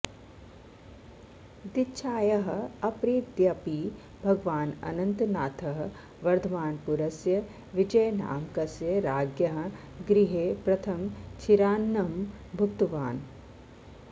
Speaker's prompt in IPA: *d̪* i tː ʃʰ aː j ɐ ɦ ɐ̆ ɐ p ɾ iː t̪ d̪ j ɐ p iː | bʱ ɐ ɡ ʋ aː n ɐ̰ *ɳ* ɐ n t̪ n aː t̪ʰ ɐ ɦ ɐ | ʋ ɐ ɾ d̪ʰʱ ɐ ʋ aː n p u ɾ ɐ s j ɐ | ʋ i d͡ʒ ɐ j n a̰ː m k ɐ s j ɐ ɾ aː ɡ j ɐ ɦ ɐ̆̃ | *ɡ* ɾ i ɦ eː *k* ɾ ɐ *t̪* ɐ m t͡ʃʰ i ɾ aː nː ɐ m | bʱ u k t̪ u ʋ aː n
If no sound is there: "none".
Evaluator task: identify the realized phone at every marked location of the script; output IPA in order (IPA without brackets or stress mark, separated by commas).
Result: d̪, n, ɡ, p, t̪ʰ